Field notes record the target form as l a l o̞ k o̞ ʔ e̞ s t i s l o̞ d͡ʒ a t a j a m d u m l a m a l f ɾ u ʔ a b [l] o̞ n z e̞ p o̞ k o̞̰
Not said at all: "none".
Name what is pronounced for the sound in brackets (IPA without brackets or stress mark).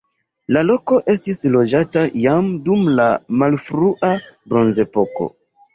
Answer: ɾ